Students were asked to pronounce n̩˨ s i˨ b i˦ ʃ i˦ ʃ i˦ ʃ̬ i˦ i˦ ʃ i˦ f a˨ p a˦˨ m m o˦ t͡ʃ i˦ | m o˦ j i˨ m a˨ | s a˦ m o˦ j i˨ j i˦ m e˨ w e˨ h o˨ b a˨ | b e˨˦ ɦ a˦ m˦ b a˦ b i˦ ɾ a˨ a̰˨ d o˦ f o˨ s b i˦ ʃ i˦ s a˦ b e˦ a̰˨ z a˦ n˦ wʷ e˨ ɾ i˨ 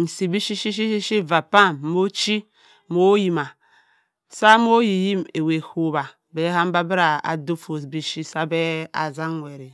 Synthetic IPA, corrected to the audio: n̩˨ s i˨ b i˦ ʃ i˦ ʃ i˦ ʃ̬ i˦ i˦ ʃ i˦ v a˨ p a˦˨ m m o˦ t͡ʃ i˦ | m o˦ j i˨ m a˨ | s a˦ m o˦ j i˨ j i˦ m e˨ w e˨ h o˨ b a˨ | b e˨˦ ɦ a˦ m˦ b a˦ b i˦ ɾ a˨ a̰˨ d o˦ f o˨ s b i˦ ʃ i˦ s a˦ b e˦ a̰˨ z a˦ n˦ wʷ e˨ ɾ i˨

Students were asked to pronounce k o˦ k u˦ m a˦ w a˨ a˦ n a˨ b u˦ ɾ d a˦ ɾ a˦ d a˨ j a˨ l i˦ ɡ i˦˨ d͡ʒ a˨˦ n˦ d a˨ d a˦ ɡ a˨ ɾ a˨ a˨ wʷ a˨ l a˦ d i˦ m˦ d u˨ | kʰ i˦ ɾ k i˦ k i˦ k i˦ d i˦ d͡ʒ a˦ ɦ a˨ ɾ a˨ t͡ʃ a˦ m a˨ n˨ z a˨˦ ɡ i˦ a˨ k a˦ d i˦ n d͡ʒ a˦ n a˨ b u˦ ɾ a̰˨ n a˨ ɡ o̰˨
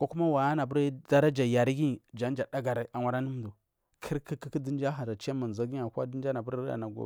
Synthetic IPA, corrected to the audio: k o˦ k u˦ m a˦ w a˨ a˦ n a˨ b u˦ ɾ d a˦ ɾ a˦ d͡ʒ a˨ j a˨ ɾ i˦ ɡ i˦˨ d͡ʒ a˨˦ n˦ d͡ʒ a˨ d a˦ ɡ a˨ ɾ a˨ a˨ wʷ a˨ ɾ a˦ n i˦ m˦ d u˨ | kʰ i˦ ɾ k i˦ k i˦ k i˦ d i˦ d͡ʒ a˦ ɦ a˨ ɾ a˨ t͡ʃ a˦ m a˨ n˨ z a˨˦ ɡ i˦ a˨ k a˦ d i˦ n d͡ʒ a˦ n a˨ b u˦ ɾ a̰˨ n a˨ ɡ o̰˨

